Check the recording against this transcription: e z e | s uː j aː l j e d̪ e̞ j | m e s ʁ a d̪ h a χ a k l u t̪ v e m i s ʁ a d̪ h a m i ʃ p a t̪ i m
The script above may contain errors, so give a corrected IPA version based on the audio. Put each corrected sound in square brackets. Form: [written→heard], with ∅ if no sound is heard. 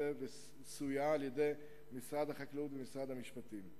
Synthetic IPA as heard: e [z→v] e | s [uː→u] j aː l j e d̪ e̞ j | m [e→i] s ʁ a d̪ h a χ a k l u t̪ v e m i s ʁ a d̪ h a m i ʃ p a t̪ i m